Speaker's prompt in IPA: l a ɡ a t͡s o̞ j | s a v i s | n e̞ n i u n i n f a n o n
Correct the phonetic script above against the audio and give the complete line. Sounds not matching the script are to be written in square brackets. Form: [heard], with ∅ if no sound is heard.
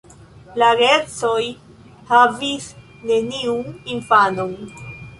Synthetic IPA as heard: l a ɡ [e] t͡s o̞ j | [h] a v i s | n e̞ n i u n i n f a n o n